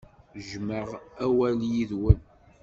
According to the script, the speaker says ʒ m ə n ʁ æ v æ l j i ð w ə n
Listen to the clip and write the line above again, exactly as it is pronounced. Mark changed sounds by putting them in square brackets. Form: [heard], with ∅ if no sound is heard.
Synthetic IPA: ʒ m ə [∅] ʁ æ [w] æ l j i ð w ə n